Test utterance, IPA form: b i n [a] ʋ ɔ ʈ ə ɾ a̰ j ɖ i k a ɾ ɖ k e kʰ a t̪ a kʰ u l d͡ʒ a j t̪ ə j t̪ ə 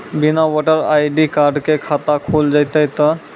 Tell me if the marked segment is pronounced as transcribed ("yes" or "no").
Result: yes